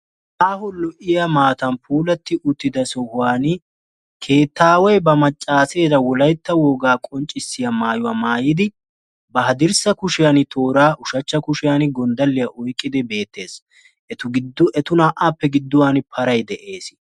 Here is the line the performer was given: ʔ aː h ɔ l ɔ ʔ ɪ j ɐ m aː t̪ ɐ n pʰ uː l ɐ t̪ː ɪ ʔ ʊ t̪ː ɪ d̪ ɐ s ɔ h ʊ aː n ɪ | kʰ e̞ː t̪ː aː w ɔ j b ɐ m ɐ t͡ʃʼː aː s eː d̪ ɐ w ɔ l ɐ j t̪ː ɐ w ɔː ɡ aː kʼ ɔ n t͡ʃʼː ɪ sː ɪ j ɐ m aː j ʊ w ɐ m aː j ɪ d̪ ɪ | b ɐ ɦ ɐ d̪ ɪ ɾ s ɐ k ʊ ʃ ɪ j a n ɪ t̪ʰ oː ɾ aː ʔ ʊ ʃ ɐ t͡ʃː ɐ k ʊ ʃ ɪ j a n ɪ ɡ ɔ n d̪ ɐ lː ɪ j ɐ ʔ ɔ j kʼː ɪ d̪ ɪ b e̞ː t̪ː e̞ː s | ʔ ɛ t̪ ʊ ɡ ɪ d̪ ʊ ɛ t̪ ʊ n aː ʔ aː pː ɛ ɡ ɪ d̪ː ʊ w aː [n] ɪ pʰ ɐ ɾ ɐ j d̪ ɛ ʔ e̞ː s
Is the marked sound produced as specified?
yes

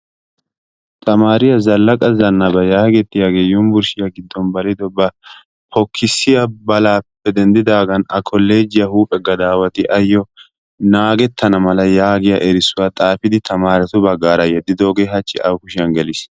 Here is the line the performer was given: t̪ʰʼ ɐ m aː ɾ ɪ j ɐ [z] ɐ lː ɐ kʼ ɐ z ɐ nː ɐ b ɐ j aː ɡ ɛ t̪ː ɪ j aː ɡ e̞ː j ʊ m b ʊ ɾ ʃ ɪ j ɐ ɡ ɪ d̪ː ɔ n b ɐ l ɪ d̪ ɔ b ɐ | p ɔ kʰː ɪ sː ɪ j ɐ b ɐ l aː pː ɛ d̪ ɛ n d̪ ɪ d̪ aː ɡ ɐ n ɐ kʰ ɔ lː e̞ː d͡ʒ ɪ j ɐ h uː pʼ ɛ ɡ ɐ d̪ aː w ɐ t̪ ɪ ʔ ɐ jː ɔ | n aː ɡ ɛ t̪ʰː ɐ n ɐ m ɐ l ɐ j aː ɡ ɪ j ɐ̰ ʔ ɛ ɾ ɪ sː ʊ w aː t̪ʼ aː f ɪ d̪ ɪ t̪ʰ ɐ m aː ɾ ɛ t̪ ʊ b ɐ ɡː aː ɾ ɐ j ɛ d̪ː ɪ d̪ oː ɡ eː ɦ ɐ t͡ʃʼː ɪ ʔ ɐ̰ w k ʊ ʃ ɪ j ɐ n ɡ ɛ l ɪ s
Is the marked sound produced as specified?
yes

